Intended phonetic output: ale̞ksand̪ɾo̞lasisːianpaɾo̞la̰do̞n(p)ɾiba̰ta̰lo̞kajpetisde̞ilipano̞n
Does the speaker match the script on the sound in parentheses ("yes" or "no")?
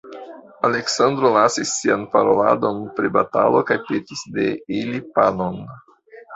yes